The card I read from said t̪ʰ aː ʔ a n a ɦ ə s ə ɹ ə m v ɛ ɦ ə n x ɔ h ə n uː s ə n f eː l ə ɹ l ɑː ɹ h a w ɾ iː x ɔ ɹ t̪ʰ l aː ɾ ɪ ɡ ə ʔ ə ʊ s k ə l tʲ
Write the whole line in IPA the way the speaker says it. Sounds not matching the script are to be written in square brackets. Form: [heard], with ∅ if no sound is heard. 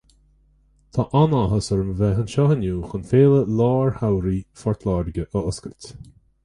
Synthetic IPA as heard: t̪ʰ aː ʔ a n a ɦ ə s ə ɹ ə m v ɛ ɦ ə n [ʃ] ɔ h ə n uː [x] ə n f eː l ə [∅] l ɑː ɹ h a w ɾ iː [f] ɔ ɹ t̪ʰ l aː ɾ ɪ ɡ ə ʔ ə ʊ s k ə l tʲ